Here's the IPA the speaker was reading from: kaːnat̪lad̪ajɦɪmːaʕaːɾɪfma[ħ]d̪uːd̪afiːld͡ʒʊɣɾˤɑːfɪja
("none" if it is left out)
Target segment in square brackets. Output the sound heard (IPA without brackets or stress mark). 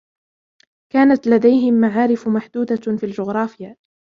ħ